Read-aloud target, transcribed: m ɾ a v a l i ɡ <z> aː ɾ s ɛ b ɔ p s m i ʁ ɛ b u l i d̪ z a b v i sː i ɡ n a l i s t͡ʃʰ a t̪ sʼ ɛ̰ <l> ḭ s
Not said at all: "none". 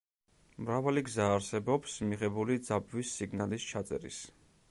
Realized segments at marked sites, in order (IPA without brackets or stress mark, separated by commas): z, ɾ